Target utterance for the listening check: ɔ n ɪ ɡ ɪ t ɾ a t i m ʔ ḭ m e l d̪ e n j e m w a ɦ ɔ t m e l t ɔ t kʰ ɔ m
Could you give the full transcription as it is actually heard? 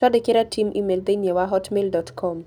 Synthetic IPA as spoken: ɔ d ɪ k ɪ ɾ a t i m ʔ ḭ m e l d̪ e n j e w a ɦ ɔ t m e l d ɔ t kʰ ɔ m